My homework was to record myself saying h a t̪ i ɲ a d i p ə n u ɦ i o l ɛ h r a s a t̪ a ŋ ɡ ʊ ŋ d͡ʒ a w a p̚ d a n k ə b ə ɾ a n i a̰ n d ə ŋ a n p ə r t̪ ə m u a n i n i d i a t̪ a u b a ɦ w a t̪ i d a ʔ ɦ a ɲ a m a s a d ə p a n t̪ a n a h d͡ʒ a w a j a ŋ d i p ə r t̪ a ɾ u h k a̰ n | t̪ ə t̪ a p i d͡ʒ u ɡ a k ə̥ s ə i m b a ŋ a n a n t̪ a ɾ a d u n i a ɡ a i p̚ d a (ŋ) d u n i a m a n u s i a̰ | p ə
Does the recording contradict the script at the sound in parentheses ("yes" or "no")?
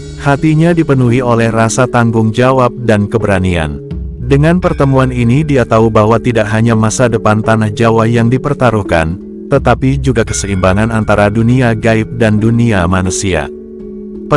yes